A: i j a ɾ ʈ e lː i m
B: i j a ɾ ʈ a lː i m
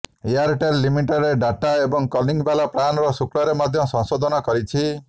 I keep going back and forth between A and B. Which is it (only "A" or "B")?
A